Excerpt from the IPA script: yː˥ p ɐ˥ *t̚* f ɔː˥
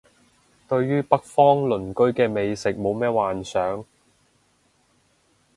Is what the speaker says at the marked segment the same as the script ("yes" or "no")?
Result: no